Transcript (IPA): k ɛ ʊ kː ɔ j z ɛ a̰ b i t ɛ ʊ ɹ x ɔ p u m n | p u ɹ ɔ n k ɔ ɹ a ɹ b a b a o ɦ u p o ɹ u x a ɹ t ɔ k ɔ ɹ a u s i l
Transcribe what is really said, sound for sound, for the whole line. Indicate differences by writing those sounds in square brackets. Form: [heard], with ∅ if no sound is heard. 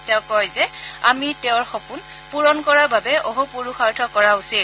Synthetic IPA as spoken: [t] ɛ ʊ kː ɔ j z ɛ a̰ [m] i t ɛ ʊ ɹ x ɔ p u [∅] n | p u ɹ ɔ n k ɔ ɹ a ɹ b a b [ɛ] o ɦ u p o ɹ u x a ɹ [tʰ] ɔ k ɔ ɹ a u s i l